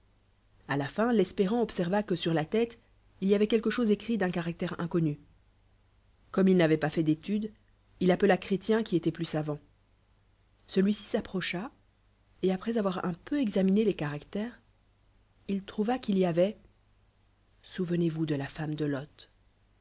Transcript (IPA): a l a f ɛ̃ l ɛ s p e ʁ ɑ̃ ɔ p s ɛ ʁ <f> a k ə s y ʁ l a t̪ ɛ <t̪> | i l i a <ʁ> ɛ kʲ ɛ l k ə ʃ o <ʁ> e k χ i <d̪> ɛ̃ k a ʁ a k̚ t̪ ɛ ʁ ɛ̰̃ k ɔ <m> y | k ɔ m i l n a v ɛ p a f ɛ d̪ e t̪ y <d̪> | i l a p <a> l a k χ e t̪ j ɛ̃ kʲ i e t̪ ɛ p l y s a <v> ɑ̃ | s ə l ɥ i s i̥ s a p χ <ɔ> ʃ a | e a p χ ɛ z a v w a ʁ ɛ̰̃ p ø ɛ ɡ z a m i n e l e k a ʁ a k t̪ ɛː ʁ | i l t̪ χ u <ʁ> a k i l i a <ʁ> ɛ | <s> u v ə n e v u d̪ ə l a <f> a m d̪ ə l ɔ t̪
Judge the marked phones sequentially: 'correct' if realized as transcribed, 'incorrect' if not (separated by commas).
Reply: incorrect, correct, incorrect, incorrect, correct, incorrect, correct, incorrect, correct, correct, incorrect, incorrect, correct, correct